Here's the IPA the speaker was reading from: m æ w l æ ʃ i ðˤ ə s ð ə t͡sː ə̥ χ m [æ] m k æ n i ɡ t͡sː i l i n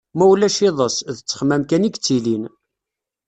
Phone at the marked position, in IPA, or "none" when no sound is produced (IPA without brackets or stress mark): æ